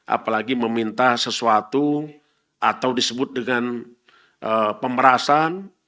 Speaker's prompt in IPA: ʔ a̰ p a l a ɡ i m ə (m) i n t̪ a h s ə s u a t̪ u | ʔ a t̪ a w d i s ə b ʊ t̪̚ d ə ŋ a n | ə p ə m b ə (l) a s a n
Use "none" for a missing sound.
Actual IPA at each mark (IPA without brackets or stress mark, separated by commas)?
m, ɾ